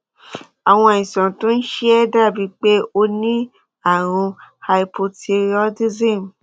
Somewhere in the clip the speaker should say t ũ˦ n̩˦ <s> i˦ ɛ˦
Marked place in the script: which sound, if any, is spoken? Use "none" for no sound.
ʃ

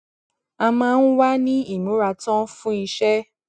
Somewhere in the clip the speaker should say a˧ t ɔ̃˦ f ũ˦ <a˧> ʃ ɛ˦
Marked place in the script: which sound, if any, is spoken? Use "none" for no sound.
i˧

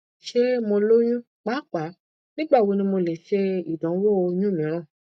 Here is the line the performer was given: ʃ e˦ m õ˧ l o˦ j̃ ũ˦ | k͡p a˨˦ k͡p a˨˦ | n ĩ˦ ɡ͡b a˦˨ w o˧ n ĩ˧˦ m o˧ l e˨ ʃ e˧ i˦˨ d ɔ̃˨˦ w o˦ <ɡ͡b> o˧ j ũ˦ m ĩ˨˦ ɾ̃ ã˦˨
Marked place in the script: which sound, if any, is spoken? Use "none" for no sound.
none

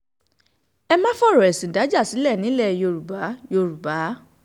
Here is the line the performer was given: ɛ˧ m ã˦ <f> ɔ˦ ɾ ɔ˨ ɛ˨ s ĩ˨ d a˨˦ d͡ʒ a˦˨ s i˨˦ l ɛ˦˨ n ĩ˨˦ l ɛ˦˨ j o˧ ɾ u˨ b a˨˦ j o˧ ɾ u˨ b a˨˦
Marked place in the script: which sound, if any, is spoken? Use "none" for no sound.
f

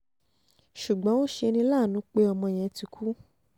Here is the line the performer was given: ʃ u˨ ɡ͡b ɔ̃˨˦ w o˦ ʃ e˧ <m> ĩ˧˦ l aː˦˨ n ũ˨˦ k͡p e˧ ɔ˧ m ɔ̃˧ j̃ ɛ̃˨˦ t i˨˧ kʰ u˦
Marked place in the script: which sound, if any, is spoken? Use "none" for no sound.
n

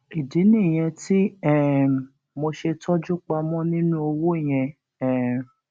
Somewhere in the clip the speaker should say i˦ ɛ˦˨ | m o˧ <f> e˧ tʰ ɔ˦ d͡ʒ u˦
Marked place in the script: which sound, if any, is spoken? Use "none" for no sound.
ʃ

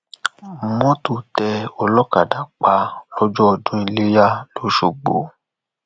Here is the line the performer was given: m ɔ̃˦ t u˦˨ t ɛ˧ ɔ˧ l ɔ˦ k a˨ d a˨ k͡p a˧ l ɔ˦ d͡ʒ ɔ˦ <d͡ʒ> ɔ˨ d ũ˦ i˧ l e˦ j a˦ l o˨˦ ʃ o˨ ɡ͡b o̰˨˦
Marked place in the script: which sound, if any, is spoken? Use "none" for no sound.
none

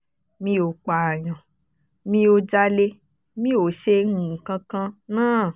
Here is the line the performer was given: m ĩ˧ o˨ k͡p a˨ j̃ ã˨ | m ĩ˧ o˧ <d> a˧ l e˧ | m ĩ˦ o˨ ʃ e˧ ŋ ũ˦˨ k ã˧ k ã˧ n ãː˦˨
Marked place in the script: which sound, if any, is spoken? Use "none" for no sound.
d͡ʒ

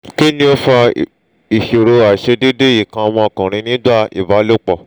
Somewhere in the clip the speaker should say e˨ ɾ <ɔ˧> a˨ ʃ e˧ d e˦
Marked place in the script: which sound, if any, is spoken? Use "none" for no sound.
o˧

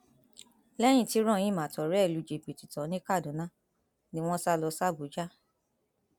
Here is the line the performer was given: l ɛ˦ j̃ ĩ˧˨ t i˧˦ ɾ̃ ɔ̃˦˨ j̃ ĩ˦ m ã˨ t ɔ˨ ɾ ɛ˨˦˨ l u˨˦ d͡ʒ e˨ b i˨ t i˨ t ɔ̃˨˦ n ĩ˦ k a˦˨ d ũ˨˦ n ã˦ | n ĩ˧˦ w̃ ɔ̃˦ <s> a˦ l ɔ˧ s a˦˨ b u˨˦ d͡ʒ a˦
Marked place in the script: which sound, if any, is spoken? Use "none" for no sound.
s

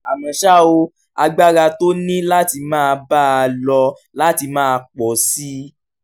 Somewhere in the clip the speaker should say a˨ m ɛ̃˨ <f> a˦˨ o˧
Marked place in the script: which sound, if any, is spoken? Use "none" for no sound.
ʃ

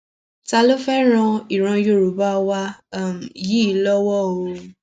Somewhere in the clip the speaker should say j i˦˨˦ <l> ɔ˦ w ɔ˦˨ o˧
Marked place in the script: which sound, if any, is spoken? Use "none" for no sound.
l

